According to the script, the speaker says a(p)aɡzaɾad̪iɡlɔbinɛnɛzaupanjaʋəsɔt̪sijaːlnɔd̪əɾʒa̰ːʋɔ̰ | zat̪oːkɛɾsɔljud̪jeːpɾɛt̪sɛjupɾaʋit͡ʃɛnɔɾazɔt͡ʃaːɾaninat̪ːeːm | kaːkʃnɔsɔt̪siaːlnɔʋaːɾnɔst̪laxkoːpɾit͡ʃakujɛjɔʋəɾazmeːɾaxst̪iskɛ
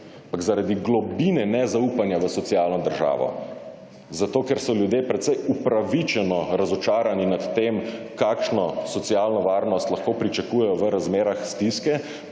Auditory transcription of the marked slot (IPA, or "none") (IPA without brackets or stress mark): p